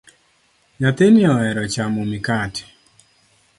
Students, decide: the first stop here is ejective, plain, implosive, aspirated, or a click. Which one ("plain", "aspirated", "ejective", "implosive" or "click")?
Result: plain